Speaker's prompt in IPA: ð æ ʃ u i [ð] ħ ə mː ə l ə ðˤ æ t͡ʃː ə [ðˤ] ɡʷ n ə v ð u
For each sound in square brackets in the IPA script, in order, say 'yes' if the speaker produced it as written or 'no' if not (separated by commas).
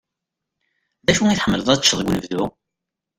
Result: no, yes